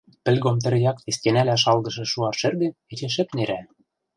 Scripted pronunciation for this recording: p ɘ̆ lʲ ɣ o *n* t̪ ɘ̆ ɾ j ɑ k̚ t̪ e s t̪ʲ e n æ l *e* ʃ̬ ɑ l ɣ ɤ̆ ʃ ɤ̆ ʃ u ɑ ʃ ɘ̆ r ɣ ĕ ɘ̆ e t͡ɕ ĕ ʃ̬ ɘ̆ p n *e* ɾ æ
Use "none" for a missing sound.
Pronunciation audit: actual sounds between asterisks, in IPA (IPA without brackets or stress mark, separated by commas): m, æ, e